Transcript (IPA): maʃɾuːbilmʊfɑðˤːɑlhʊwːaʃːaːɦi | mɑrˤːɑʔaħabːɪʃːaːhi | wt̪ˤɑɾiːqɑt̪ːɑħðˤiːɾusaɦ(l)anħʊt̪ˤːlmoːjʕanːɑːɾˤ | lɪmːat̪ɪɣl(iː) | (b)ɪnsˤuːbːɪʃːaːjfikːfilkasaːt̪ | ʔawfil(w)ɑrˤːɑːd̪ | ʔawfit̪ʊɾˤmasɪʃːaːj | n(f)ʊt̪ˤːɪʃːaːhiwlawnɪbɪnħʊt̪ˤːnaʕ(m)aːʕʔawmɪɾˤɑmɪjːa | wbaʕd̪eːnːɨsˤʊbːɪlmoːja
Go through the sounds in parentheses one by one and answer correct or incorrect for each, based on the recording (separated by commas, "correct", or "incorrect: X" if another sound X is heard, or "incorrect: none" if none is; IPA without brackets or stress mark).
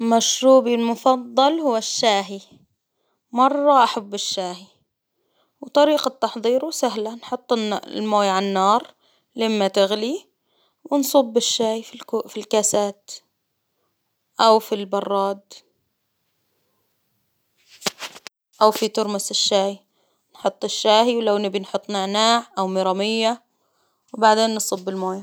correct, incorrect: i, incorrect: w, incorrect: b, incorrect: ħ, incorrect: n